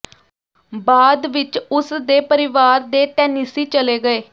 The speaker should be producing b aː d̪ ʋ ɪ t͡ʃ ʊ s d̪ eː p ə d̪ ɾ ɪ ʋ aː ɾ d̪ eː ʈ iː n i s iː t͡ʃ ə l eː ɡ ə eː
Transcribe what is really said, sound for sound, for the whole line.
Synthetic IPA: b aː d̪ ʋ ɪ t͡ʃ ʊ s d̪ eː p ə ɾ ɪ ʋ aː ɾ d̪ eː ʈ ɛː n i s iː t͡ʃ ə l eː ɡ ə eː